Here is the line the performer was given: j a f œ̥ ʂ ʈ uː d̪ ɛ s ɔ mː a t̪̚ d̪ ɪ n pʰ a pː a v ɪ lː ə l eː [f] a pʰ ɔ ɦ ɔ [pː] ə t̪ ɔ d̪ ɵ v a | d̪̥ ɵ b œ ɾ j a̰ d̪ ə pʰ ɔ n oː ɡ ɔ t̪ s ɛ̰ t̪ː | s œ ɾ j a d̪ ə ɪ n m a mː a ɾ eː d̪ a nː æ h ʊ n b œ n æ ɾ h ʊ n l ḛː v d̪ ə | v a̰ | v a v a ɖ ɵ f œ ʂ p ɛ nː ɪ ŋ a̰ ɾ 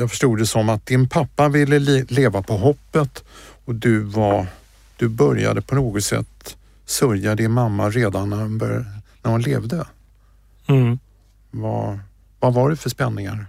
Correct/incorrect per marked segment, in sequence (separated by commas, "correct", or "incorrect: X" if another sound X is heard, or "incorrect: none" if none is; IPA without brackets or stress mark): incorrect: v, correct